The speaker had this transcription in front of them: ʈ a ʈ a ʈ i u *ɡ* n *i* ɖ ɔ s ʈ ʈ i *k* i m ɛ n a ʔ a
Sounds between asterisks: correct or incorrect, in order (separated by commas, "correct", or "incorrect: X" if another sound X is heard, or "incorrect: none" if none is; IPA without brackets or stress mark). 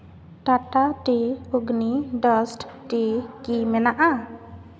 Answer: correct, correct, correct